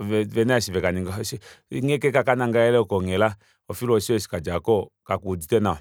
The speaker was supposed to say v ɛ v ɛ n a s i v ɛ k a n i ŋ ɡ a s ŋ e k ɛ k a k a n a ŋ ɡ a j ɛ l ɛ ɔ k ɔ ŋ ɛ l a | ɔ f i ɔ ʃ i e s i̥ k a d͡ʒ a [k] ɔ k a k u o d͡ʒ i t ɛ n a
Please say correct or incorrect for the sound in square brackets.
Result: correct